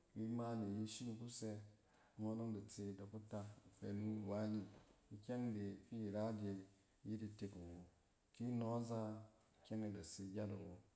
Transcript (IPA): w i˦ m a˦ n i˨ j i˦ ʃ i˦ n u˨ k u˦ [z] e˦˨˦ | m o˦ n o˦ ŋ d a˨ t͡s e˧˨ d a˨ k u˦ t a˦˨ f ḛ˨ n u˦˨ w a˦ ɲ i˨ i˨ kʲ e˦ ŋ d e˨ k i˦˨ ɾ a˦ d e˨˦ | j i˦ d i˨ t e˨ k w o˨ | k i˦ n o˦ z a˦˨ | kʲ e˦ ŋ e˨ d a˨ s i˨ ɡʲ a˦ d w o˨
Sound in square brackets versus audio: incorrect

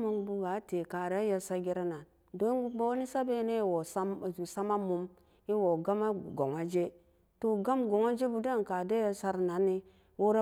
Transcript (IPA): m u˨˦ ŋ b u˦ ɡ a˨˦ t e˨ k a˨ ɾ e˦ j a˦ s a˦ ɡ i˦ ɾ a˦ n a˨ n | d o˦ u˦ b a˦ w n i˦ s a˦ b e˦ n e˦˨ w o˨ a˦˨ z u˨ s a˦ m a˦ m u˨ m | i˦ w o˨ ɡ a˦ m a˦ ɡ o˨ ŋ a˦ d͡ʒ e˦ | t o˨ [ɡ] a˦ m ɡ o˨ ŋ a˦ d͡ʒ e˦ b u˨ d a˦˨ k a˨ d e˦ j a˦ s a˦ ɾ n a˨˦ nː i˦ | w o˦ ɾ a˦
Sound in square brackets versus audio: correct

